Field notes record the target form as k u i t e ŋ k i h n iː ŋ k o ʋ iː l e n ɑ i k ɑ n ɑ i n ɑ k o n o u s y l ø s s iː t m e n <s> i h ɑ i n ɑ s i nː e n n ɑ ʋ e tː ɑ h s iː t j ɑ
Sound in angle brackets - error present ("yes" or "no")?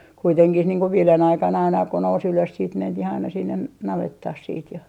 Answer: yes